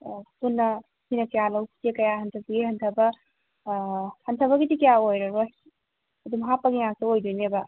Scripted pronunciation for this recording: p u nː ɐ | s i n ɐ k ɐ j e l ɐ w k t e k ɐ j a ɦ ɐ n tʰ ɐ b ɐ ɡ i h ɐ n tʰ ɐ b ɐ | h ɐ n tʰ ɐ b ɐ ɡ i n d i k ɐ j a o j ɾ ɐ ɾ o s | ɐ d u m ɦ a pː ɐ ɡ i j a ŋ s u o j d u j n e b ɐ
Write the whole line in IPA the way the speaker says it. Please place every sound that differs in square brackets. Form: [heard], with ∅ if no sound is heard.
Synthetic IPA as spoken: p u nː ɐ | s i n ɐ k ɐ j [a] l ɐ w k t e k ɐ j a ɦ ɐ n tʰ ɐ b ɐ ɡ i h ɐ n tʰ ɐ b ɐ | h ɐ n tʰ ɐ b ɐ ɡ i [∅] d i k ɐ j a o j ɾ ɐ ɾ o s | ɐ d u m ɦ a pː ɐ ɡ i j a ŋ s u o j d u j n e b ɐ